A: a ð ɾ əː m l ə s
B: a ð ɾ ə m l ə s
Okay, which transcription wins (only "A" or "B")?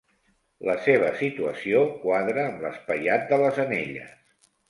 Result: A